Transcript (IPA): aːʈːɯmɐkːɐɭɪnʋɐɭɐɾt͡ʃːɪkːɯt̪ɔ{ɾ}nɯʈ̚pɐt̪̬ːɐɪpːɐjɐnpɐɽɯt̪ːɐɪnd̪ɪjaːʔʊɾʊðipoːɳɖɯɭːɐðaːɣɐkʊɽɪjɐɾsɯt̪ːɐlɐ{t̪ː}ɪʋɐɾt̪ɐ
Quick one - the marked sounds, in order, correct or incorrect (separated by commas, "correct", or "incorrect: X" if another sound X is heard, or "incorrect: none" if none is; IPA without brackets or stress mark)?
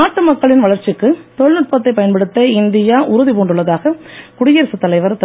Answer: incorrect: ɭ, incorrect: none